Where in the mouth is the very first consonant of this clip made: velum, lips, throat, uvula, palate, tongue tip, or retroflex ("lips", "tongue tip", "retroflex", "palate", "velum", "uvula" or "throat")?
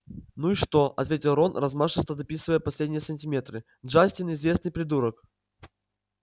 tongue tip